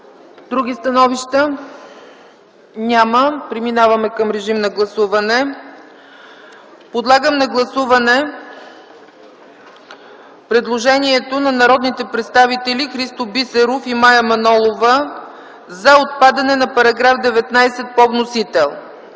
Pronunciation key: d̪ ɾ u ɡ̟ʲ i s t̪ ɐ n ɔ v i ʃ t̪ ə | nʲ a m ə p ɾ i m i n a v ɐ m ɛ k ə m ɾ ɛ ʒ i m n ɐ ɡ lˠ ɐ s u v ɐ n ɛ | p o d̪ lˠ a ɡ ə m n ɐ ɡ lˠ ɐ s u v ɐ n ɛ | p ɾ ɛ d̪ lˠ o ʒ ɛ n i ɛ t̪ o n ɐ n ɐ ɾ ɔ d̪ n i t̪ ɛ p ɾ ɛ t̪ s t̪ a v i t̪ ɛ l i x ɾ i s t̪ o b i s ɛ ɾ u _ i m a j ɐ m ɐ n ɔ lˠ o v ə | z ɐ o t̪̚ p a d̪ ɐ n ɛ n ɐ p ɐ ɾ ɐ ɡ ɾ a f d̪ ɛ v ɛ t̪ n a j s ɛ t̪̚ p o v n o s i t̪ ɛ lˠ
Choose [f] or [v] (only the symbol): f